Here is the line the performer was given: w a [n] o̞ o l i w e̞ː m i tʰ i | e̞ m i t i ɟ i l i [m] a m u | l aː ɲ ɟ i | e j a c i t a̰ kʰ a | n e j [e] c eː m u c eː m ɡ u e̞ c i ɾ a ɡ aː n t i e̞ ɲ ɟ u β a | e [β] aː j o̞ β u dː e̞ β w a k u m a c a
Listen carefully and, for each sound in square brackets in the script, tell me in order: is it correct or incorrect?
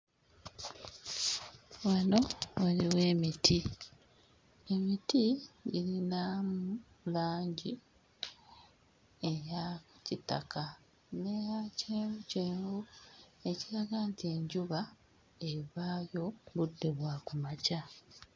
correct, incorrect, incorrect, correct

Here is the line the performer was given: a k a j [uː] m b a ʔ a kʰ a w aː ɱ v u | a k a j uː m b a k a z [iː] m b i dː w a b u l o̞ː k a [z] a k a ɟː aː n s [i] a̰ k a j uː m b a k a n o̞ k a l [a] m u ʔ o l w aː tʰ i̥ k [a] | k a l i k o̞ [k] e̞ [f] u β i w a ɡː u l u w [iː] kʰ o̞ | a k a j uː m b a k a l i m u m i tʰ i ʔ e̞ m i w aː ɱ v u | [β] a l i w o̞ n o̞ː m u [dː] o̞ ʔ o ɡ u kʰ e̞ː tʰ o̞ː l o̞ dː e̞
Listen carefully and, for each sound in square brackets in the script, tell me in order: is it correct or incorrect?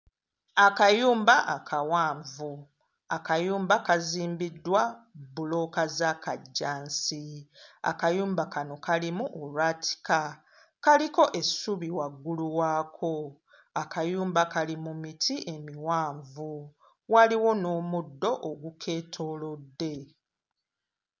correct, correct, correct, correct, incorrect, correct, incorrect, incorrect, incorrect, incorrect, correct

